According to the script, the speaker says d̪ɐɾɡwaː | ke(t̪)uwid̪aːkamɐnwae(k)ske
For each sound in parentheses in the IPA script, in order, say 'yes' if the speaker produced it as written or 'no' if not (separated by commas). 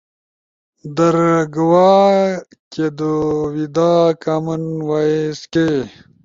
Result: no, no